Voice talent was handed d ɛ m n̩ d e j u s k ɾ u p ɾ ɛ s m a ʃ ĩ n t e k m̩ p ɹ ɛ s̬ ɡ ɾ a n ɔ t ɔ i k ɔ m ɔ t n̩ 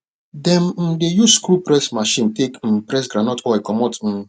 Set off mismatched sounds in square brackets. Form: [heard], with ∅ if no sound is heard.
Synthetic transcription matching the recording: d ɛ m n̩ d e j u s k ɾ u p ɾ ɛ s m a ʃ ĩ n t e k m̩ p [ɾ] ɛ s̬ ɡ ɾ a n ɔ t ɔ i k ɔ m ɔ t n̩

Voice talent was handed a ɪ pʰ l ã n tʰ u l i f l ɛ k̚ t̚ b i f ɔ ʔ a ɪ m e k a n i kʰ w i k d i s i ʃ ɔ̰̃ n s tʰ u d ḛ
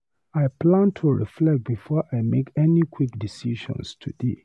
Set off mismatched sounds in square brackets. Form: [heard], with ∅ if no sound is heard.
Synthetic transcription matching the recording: a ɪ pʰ l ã n tʰ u [ɹ] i f l ɛ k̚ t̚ b i f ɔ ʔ a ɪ m e k [ɛ] n i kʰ w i k d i s i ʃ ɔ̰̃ n s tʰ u d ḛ

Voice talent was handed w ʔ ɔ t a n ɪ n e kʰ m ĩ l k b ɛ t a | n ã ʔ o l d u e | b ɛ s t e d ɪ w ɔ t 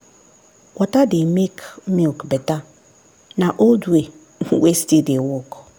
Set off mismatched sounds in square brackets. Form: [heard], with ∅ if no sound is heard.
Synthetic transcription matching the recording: w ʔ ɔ t a [d] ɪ [m] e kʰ m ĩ l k b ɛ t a | n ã ʔ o l d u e | [w] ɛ s t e d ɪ w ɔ [k]

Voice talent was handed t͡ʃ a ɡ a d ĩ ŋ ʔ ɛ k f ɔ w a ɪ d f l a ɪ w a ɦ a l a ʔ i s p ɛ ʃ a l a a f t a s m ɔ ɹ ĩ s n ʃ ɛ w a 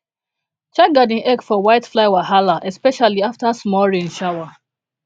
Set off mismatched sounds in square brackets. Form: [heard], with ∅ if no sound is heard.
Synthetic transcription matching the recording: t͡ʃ a ɡ a d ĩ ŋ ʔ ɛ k f ɔ w a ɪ [t] f l a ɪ w a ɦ a l a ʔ [ɛ] s p ɛ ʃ a l [i] a f t a s m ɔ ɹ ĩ [∅] n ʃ [a] w a

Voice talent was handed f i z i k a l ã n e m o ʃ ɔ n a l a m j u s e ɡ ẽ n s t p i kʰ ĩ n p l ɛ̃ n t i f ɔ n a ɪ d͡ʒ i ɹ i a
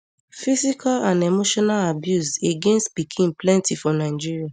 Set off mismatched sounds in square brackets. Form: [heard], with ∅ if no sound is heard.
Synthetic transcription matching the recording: f i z i k a l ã n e m o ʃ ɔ n a l a [b] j u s e ɡ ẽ n s t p i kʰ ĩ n p l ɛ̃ n t i f ɔ n a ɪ d͡ʒ i ɹ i a

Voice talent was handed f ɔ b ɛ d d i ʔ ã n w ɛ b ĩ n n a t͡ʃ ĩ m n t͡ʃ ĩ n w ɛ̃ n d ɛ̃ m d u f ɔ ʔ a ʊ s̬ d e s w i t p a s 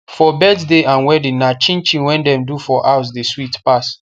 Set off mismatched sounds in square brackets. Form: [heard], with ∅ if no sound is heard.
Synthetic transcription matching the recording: f ɔ b ɛ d d [e] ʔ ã n w ɛ [d] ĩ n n a t͡ʃ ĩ [∅] n t͡ʃ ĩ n w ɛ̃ n d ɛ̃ m d u f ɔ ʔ a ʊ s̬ d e s w i t p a s

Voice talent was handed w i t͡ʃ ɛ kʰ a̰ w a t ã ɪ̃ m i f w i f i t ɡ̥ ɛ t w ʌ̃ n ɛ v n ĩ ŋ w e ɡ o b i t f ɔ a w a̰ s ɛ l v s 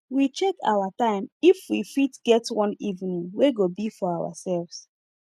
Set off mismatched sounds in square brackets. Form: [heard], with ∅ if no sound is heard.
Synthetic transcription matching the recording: w i t͡ʃ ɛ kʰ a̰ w a t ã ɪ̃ m i f w i f i t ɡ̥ ɛ t w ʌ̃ n [i] v n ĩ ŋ w e ɡ o b i [∅] f ɔ a w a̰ s ɛ l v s

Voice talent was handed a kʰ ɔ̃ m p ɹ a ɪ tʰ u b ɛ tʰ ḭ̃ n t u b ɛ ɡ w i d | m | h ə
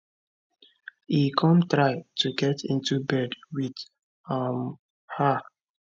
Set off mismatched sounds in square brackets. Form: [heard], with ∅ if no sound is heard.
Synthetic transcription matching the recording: [i] kʰ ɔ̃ m [t] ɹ a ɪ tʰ u [ɡ] ɛ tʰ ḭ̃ n t u b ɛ [d] w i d | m | h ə

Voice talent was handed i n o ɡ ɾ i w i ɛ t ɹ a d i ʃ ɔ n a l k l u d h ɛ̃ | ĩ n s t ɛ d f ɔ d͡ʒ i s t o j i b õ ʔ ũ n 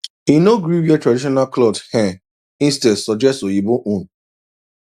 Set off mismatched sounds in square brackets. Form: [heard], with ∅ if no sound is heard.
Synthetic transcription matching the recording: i n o ɡ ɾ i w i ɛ t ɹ a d i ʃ ɔ n a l k l [ɔ] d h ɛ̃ | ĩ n s t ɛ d [s] ɔ d͡ʒ [ɛ] s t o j i b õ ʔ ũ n

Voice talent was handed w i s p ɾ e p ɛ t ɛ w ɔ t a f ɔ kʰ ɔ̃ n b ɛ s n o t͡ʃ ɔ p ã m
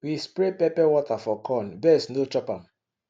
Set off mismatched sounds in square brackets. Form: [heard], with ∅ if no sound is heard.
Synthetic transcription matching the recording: w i s p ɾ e p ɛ [p] ɛ w ɔ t a f ɔ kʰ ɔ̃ n b ɛ s n o t͡ʃ ɔ p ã m

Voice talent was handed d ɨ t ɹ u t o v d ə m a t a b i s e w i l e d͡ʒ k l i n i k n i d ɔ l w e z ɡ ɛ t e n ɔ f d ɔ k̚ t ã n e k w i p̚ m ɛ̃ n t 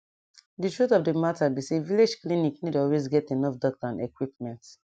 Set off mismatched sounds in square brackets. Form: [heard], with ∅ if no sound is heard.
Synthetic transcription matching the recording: d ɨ t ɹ u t [ɔ] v d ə m a t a b i s e [v] i l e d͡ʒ k l i n i k n i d ɔ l w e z ɡ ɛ t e n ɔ f d ɔ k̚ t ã n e k w i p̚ m ɛ̃ n t

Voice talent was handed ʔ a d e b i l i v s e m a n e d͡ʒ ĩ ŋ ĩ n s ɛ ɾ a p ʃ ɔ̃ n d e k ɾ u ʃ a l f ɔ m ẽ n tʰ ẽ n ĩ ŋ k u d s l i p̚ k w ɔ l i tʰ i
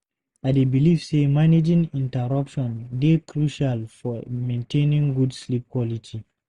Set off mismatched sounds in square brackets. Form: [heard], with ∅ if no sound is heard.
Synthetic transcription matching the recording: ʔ a d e b i l i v s e m a n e d͡ʒ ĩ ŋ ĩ n [t] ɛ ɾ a p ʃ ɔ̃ n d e k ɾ u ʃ a l f ɔ m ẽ n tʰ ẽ n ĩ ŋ [ɡ] u d s l i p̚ k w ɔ l i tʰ i

